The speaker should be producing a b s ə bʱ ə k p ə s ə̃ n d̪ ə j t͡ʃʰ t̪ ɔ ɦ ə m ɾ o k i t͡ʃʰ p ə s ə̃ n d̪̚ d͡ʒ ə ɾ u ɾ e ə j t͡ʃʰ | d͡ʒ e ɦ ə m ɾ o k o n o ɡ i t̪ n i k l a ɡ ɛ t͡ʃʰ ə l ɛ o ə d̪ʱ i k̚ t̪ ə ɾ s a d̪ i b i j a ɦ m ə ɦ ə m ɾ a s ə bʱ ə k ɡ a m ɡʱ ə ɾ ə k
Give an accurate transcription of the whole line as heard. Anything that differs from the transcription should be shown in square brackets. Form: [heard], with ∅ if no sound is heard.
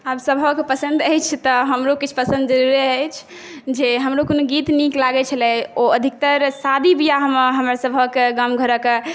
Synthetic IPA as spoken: a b s ə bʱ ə k p ə s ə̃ n d̪ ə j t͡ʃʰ t̪ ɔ ɦ ə m ɾ o k i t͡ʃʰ p ə s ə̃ n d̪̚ d͡ʒ ə ɾ u ɾ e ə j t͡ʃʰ | d͡ʒ e ɦ ə m ɾ o k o n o ɡ i t̪ n i k l a ɡ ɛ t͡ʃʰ ə l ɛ o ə d̪ʱ i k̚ t̪ ə ɾ s a d̪ i b i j a ɦ m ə ɦ ə m ɾ a s ə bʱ ə k ɡ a m ɡʱ ə ɾ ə k